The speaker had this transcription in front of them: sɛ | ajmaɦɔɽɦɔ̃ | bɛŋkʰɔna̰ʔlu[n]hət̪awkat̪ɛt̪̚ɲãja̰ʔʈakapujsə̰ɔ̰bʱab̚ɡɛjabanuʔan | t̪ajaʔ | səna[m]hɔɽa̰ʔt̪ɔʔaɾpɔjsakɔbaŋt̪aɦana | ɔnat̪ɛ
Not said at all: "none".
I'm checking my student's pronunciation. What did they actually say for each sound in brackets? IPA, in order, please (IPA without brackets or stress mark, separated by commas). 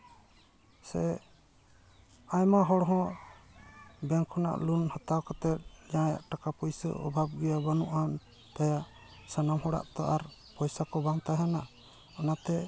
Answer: n, m